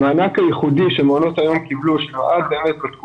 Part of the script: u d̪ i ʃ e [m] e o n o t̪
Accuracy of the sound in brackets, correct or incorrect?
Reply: correct